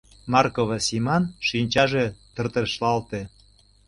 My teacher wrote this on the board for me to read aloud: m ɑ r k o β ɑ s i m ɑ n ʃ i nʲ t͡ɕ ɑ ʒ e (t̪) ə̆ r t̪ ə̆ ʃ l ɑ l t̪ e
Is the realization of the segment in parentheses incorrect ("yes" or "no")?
no